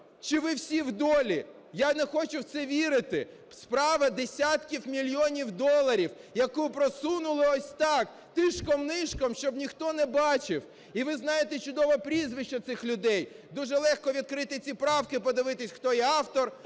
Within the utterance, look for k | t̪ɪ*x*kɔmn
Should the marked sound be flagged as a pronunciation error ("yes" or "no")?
yes